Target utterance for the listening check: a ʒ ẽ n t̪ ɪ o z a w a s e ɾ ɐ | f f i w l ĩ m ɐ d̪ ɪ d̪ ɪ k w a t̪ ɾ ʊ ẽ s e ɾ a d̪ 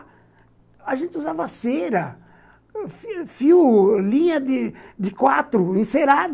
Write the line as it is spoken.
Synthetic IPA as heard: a ʒ ẽ n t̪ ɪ u z a v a s e ɾ ɐ | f f i w l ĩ ɲ ɐ d̪ ɪ d̪ ɪ k w a t̪ ɾ ʊ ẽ s e ɾ a d̪